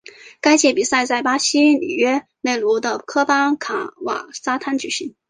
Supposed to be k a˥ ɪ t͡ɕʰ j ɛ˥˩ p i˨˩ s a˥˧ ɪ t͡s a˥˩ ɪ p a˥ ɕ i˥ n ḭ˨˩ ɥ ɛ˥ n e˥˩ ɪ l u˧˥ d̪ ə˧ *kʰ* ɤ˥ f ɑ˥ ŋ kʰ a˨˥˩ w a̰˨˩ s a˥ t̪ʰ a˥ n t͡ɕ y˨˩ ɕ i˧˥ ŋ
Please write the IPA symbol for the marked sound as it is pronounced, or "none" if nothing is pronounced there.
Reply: kʰ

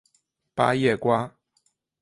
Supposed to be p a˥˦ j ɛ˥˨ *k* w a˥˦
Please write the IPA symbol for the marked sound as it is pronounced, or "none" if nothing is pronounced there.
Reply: k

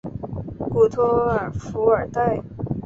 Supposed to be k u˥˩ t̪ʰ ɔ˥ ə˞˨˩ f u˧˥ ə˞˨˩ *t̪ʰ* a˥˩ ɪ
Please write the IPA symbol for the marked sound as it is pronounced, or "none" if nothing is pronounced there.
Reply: t̪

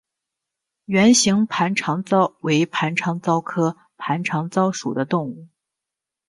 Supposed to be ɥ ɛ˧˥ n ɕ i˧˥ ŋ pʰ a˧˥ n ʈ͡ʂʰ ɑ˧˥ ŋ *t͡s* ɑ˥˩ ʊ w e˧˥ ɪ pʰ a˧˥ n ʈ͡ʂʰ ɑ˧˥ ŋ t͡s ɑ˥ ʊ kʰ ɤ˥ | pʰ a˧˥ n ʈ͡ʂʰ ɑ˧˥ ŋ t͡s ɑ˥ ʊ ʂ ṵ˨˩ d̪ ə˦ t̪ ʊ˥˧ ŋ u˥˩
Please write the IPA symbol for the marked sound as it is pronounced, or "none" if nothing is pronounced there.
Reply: t͡s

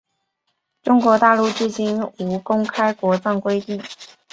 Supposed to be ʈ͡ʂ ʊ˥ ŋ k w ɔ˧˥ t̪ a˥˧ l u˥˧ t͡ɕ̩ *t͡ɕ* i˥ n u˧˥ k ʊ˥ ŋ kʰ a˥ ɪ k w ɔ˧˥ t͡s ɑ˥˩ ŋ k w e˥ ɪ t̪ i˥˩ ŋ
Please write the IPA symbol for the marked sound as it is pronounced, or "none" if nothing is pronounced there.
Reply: t͡ɕ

